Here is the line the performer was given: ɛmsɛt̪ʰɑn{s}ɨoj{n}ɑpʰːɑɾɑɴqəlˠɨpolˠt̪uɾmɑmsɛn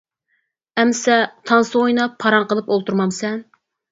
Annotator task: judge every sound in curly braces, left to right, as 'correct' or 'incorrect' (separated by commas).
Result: correct, correct